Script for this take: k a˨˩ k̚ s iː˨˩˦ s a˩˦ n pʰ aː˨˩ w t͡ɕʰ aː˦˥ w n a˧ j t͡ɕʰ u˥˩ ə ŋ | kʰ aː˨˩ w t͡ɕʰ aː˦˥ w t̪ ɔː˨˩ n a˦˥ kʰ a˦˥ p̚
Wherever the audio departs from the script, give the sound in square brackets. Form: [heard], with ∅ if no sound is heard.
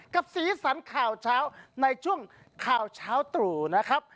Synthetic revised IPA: k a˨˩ [p̚] s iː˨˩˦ s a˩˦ n [kʰ] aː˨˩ w t͡ɕʰ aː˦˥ w n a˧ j t͡ɕʰ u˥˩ ə ŋ | kʰ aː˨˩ w t͡ɕʰ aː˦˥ w t̪ [uː˨˩] n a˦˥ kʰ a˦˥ p̚